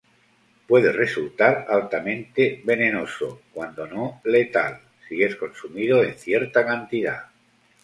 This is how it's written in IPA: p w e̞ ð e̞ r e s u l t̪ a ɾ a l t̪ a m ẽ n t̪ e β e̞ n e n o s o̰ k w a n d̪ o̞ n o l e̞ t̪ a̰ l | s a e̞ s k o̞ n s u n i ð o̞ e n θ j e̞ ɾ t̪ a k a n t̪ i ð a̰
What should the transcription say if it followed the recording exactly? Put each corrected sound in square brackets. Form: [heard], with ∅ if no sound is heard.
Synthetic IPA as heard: p w e̞ ð e̞ r e s u l t̪ a ɾ a l t̪ a m ẽ n t̪ e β e̞ n e n o s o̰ k w a n d̪ o̞ n o l e̞ t̪ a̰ l | s [i] e̞ s k o̞ n s u [m] i ð o̞ e n θ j e̞ ɾ t̪ a k a n t̪ i ð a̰